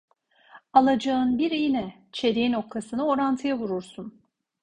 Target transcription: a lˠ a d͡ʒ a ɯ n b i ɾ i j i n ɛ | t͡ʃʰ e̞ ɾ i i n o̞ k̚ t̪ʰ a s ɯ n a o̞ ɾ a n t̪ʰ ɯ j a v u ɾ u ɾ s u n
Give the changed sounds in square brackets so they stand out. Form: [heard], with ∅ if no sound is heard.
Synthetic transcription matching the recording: a lˠ a d͡ʒ a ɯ n b i ɾ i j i n ɛ | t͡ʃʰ e̞ ɾ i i n o̞ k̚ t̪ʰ a s ɯ n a o̞ ɾ a n t̪ʰ ɯ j a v u ɾ u ɾ s u n